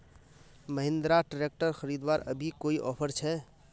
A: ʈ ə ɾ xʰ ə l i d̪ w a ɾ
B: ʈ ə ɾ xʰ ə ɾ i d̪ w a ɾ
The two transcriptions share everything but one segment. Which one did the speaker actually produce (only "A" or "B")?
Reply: B